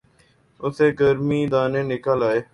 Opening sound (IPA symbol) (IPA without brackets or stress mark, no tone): ʊ